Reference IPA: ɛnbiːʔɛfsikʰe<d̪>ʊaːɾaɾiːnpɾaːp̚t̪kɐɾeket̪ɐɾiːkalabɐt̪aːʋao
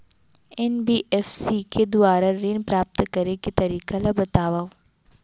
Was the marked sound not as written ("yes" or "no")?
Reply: no